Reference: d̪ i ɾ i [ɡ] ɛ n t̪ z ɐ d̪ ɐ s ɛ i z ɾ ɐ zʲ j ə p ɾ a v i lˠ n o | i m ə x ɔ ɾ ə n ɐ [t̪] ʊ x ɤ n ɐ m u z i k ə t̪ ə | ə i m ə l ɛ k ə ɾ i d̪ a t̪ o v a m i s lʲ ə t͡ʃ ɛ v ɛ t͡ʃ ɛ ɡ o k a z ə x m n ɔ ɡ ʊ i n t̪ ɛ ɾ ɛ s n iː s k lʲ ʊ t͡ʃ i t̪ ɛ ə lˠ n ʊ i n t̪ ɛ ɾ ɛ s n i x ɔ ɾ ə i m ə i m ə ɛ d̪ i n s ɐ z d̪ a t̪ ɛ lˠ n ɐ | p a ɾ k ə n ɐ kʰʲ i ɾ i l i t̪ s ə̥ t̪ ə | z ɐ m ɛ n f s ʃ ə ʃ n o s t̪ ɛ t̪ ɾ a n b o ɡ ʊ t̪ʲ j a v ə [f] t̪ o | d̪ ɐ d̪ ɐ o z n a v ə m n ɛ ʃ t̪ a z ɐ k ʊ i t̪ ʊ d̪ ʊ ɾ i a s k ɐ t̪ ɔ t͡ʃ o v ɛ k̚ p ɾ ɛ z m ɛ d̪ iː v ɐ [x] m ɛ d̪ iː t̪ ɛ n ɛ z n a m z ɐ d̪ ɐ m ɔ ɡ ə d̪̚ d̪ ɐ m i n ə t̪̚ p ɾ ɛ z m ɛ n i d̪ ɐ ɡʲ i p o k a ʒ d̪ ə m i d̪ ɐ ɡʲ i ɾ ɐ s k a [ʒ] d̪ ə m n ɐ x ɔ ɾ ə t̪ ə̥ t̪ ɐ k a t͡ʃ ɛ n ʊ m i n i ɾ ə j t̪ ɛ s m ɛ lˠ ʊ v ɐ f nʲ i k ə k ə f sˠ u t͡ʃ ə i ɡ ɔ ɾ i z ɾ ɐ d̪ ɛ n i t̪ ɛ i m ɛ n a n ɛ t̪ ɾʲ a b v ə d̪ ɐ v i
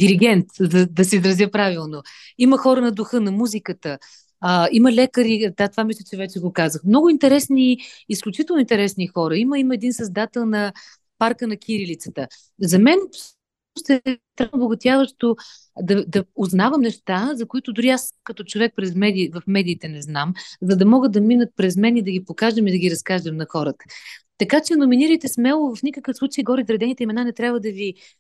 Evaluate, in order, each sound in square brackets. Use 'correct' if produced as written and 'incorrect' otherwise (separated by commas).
correct, incorrect, incorrect, incorrect, correct